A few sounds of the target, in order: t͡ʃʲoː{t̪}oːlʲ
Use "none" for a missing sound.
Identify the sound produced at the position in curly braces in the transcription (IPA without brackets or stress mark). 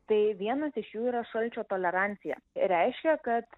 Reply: t̪